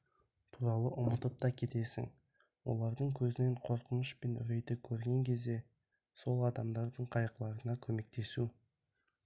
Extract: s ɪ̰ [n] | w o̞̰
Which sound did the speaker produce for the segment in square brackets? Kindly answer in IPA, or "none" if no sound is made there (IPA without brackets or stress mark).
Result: ŋ